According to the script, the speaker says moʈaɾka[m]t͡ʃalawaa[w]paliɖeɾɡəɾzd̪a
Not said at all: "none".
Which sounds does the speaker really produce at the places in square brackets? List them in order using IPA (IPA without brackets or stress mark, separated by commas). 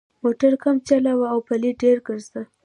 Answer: m, w